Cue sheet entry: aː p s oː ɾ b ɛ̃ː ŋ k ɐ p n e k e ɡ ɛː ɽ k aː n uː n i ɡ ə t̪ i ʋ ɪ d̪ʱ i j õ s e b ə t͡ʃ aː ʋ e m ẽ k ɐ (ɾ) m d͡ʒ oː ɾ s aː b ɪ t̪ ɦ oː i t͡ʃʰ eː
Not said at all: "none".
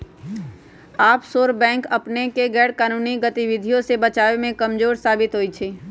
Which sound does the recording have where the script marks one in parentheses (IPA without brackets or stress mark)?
none